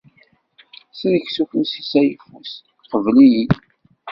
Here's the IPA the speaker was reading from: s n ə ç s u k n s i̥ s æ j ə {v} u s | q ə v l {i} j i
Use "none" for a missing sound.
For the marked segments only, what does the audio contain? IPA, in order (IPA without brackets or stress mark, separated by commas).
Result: f, i